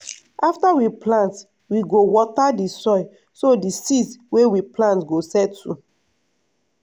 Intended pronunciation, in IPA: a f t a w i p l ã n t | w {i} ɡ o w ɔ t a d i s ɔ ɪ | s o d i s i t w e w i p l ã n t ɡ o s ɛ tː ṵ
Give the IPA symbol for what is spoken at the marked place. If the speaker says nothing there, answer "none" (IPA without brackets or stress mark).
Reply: i